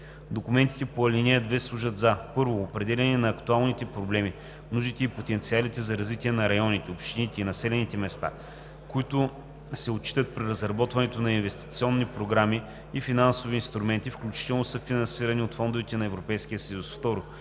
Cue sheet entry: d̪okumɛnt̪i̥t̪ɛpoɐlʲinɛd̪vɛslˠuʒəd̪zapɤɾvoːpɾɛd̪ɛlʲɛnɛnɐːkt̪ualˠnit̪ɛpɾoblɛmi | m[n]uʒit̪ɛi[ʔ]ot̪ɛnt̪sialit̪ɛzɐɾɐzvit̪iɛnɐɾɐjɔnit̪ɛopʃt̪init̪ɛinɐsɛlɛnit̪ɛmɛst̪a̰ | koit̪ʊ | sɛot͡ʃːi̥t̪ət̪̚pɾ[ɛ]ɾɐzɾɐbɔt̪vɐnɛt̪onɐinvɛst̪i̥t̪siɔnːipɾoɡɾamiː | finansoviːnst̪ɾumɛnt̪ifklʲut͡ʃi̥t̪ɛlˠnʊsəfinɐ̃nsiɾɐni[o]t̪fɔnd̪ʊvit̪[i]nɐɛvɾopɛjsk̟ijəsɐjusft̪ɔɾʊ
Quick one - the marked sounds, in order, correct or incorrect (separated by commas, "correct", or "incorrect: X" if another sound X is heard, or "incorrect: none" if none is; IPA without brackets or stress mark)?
correct, incorrect: p, incorrect: i, correct, incorrect: ɛ